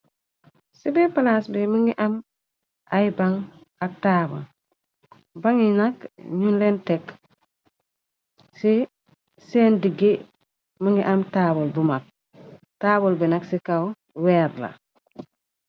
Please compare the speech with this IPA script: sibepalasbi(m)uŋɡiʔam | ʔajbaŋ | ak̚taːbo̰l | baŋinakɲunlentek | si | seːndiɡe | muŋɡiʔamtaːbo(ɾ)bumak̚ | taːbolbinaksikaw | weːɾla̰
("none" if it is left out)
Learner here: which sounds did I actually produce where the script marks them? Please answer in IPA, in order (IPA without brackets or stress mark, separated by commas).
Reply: m, l